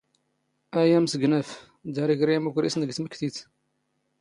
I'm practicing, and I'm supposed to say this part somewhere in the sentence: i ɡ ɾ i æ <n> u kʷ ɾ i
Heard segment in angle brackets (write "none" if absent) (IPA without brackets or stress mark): m